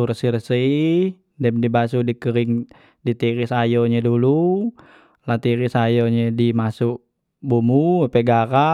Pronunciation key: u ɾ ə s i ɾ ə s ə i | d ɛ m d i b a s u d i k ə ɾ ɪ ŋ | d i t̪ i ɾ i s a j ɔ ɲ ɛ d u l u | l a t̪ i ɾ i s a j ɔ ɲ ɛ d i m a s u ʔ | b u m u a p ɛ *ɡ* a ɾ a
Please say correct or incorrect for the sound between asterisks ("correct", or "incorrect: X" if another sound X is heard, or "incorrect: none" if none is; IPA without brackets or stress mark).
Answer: correct